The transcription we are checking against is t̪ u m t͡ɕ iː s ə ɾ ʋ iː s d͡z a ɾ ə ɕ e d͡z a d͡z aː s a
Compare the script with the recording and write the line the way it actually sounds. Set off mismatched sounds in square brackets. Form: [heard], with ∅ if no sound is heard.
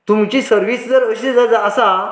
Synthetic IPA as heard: t̪ u m t͡ɕ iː s ə ɾ ʋ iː s d͡z [ə] ɾ ə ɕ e d͡z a d͡z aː s a